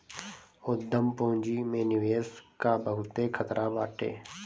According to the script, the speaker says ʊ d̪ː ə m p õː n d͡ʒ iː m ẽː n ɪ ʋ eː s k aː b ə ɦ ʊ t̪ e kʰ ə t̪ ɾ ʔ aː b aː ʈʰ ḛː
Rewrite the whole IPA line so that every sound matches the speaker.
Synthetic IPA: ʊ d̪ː ə m p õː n d͡ʒ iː m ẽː n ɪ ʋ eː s k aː b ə ɦ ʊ t̪ e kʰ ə t̪ ɾ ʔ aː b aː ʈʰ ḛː